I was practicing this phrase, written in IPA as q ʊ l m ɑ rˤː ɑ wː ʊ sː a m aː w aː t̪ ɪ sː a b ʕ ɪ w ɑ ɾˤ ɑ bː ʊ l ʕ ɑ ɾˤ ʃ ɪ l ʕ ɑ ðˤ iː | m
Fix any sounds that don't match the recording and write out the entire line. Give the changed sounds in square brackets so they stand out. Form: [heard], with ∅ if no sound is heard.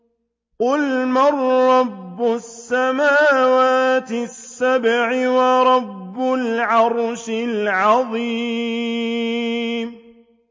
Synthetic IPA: q ʊ l m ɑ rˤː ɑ [bː] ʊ sː a m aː w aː t̪ ɪ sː a b ʕ ɪ w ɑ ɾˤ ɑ bː ʊ l ʕ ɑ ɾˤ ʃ ɪ l ʕ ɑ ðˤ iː | m

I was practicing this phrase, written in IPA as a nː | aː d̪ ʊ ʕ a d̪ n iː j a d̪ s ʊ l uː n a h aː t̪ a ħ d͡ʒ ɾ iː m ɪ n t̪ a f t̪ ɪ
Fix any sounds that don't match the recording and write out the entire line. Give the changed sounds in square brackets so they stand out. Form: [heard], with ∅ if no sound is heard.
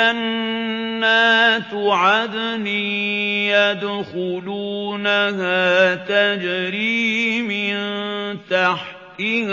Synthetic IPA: a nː | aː [t̪] ʊ ʕ a d̪ n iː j a d̪ [x] ʊ l uː n a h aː t̪ a [∅] d͡ʒ ɾ iː m ɪ n t̪ a [ħ] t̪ ɪ

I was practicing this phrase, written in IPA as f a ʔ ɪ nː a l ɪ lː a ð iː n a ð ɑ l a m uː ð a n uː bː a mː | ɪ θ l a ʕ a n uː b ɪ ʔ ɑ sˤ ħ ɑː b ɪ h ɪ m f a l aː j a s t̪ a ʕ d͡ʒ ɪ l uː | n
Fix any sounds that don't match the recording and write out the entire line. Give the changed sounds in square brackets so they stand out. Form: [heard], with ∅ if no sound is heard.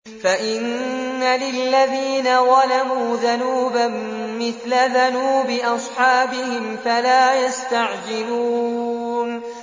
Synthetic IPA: f a ʔ ɪ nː a l ɪ lː a ð iː n a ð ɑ l a m uː ð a n uː [b] a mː | ɪ θ l a [ð] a n uː b ɪ ʔ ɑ sˤ ħ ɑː b ɪ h ɪ m f a l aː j a s t̪ a ʕ d͡ʒ ɪ l uː | n

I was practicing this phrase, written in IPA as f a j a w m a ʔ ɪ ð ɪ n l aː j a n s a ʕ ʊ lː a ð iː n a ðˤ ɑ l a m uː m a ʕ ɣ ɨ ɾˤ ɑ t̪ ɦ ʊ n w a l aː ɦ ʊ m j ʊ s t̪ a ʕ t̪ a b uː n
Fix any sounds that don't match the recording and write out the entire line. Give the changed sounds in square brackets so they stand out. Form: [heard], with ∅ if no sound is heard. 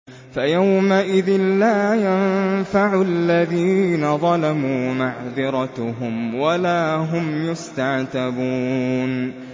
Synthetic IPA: f a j a w m a ʔ ɪ ð ɪ n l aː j a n [f] a ʕ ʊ lː a ð iː n a ðˤ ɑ l a m uː m a ʕ [ð] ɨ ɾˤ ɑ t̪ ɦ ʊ [m] w a l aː ɦ ʊ m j ʊ s t̪ a ʕ t̪ a b uː n

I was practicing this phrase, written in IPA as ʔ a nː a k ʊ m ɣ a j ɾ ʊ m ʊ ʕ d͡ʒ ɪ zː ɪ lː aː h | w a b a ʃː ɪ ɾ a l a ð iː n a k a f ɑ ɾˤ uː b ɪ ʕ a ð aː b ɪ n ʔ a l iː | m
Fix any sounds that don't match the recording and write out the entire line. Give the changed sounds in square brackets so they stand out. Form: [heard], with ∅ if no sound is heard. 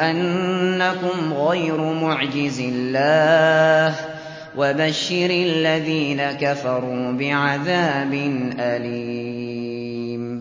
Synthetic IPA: ʔ a nː a k ʊ m ɣ a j ɾ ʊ m ʊ ʕ d͡ʒ ɪ [z] ɪ lː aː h | w a b a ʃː ɪ ɾ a [lː] a ð iː n a k a f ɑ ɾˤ uː b ɪ ʕ a ð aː b ɪ n ʔ a l iː | m

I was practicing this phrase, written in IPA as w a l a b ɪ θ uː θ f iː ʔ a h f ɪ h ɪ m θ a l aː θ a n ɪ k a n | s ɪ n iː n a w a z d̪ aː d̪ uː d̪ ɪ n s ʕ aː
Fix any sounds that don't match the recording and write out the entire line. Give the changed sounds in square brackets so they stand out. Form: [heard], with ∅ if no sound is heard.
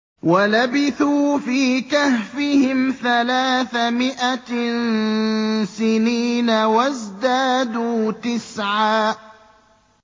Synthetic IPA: w a l a b ɪ θ uː [∅] f iː [k] a h f ɪ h ɪ m θ a l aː θ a [m] ɪ [ʔ] a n | s ɪ n iː n a w a z d̪ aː d̪ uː [t̪] ɪ [∅] s ʕ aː

